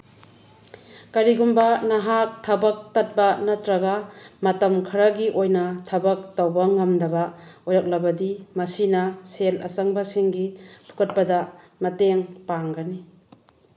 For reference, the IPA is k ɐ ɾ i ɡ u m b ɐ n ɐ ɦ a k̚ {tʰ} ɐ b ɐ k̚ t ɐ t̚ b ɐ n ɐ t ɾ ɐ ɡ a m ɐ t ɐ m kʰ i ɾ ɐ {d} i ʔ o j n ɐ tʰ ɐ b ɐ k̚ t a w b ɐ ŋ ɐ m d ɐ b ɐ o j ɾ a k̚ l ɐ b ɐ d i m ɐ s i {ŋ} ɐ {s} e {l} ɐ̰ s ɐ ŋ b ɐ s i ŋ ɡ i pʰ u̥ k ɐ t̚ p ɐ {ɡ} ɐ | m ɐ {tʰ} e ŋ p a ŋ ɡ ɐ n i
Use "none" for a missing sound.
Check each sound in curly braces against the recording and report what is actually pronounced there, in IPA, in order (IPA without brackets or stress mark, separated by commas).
tʰ, ɡ, n, s, l, d, t